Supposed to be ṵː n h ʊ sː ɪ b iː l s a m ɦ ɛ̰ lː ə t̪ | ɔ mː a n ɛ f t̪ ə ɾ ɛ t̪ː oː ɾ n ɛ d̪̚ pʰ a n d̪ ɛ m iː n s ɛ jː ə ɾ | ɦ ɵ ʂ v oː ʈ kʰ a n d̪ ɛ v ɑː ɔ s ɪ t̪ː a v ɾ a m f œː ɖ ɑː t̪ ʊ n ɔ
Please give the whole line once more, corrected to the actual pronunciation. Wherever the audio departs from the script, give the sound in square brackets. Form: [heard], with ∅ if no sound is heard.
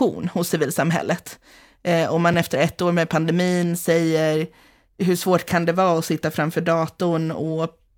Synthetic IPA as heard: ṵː n h ʊ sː ɪ [v] iː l s a m ɦ ɛ̰ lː ə t̪ | ɔ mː a n ɛ f t̪ ə ɾ ɛ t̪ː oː ɾ [m] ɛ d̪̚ pʰ a n d̪ ɛ m iː n s ɛ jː ə ɾ | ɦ ɵ ʂ v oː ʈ kʰ a n d̪ ɛ v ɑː ɔ s ɪ t̪ː a [f] ɾ a m f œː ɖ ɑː t̪ ʊ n ɔ